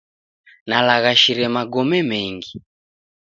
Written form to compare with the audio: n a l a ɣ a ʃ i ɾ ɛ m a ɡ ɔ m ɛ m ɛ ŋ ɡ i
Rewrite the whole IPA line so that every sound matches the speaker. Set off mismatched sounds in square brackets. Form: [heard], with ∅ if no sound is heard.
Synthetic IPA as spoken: n a l a ɣ a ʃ i ɾ ɛ m a ɡ ɔ m ɛ m ɛ ŋ ɡ i